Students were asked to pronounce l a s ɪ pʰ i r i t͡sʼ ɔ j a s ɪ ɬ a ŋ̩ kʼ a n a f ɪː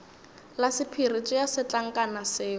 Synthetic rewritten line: l a s ɪ pʰ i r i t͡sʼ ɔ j a s ɪ t͡ɬ a ŋ̩ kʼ a n a s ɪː